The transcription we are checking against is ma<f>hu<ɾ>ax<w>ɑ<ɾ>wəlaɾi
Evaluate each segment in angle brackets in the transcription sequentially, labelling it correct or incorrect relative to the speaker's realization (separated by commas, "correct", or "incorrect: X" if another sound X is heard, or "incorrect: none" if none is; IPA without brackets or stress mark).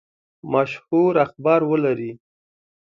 incorrect: ʃ, correct, incorrect: b, correct